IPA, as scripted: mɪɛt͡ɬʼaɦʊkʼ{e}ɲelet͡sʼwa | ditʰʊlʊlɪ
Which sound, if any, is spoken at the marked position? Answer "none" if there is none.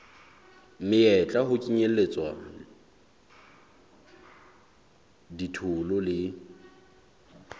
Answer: i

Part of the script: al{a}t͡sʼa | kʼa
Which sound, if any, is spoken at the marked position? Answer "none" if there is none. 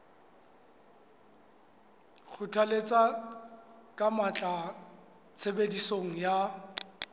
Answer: e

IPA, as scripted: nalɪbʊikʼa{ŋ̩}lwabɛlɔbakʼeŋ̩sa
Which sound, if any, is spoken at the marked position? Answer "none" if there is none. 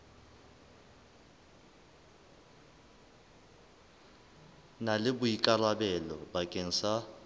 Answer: none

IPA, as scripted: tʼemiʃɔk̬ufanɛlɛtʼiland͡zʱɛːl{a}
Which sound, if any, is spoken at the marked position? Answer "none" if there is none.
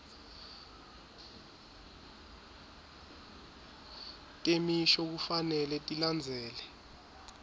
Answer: ɛ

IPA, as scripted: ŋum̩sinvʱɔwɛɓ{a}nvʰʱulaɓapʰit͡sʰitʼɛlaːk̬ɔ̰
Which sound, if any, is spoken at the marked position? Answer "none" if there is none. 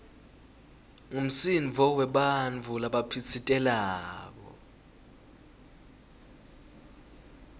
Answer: a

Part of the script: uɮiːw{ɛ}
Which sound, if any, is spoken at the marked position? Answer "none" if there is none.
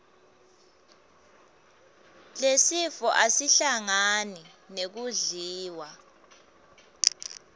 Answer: a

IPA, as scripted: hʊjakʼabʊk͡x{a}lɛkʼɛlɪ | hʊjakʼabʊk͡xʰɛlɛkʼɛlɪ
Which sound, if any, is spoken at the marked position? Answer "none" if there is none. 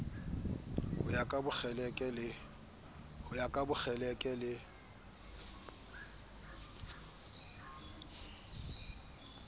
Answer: ɛ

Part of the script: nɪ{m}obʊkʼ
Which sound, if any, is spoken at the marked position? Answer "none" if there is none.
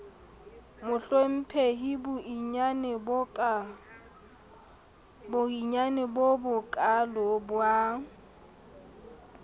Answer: b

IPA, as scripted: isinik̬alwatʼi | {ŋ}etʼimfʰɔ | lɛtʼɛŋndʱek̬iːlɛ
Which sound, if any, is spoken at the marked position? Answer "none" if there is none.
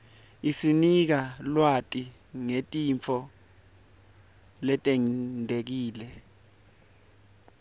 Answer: ŋ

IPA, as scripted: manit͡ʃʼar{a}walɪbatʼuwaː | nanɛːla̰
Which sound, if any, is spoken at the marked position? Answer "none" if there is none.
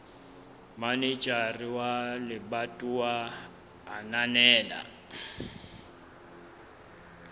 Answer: i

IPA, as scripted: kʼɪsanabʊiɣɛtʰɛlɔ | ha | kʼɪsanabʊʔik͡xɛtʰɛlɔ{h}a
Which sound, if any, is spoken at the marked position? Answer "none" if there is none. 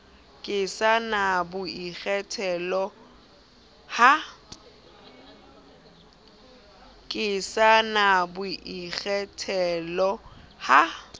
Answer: h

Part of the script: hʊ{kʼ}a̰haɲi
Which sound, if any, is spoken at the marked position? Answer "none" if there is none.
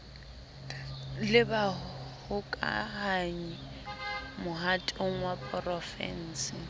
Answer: kʼ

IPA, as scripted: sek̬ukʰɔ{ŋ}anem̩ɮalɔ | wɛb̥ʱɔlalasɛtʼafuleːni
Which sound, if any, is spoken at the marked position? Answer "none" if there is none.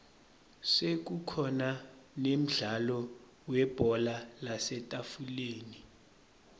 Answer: n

